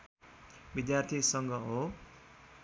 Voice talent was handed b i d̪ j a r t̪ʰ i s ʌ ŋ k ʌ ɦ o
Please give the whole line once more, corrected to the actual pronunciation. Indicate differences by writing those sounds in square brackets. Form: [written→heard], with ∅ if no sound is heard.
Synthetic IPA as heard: b i d̪ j a r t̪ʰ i s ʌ ŋ [k→ɡ] ʌ ɦ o